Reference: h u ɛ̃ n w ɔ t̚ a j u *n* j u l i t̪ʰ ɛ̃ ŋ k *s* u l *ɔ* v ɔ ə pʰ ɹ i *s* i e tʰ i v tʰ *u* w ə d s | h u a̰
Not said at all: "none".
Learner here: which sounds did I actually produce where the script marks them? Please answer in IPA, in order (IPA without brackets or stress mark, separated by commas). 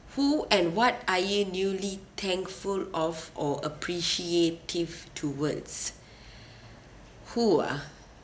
n, f, ɔ, ʃ, u